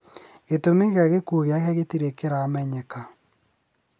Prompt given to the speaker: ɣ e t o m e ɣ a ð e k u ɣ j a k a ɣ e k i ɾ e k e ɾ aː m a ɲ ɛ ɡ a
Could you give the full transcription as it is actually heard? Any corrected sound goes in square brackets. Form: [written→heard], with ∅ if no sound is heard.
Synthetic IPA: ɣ e t o m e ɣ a [ð→ɣ] e k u ɣ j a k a ɣ e [k→t] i ɾ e k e ɾ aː m [a→ɛ] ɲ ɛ [ɡ→k] a